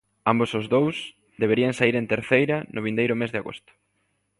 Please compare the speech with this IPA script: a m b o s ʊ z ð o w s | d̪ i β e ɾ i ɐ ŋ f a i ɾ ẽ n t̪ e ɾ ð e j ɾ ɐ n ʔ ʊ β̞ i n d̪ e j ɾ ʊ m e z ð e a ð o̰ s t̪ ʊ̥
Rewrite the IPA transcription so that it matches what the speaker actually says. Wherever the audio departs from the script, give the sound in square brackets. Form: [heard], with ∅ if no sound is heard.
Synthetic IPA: a m b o s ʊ z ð o w s | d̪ [e] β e ɾ i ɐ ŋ [s] a i ɾ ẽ n t̪ e ɾ [θ] e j ɾ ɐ n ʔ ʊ β̞ i n d̪ e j ɾ ʊ m e z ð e a [ɣ] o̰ s t̪ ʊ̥